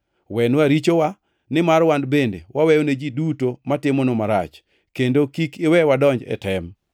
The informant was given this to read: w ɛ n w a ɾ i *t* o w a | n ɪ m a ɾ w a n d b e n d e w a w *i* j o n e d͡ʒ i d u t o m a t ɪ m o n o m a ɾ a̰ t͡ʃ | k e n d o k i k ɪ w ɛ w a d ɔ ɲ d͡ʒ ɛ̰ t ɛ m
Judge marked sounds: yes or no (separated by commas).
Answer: no, no